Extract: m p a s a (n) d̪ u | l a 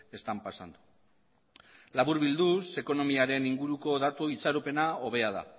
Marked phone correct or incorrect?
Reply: correct